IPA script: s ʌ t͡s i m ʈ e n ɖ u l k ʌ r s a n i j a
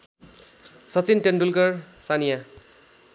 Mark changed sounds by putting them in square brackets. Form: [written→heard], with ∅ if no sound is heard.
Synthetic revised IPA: s ʌ t͡s i [m→n] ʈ e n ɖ u l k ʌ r s a n i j a